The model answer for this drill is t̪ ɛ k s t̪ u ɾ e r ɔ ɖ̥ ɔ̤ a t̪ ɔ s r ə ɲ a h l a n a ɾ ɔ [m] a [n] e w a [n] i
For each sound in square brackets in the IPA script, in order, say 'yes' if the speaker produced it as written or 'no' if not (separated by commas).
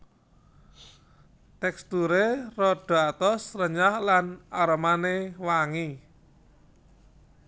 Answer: yes, yes, no